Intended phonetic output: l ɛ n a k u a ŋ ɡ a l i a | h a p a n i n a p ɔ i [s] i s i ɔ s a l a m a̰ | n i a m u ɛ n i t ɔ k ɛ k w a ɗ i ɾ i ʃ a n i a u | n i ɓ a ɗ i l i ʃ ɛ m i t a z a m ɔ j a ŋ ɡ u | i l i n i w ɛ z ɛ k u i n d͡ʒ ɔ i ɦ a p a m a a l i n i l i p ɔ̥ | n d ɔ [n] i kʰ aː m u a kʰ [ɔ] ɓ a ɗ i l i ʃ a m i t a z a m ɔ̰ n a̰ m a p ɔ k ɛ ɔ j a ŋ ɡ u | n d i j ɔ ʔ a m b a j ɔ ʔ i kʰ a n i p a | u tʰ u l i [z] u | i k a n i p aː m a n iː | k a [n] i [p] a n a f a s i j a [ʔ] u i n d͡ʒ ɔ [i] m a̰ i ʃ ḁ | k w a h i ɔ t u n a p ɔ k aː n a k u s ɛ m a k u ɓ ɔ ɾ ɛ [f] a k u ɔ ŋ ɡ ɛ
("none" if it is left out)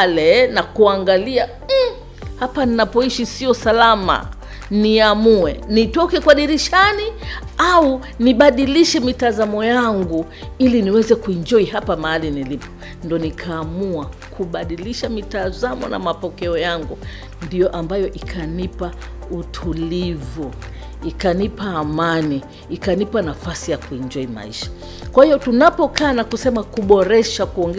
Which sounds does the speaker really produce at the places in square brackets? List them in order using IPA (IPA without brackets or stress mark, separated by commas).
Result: ʃ, n, u, v, n, p, k, i, ʃ